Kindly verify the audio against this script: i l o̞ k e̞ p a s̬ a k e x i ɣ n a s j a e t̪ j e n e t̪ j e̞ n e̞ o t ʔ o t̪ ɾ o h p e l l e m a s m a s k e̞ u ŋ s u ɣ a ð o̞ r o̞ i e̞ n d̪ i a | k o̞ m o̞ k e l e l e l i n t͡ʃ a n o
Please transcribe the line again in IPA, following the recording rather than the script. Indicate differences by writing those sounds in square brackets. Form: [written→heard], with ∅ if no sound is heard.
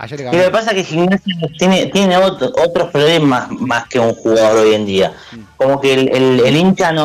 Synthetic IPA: i l o̞ k e̞ p a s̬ a k e x i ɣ n a s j a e t̪ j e n e t̪ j e̞ n e̞ o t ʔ o t̪ ɾ o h p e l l e m a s m a s k e̞ u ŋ [s→x] u ɣ a ð o̞ [r→ɾ] o̞ [i→j] e̞ n d̪ i a | k o̞ m o̞ k e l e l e l i n t͡ʃ a n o